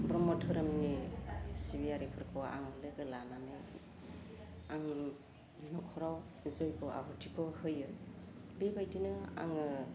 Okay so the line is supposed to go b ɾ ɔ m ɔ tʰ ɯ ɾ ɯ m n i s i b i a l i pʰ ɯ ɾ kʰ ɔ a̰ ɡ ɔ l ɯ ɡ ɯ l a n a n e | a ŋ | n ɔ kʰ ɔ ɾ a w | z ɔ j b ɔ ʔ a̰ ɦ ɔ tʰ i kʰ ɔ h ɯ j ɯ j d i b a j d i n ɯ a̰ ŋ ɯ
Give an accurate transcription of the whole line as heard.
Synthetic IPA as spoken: b ɾ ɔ m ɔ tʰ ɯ ɾ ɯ m n i s i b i a ɾ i pʰ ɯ ɾ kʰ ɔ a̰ ŋ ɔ l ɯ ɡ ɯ l a n a n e | a ŋ | n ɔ kʰ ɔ ɾ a w | z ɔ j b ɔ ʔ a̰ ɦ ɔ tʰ i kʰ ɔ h ɯ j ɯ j b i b a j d i n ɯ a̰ ŋ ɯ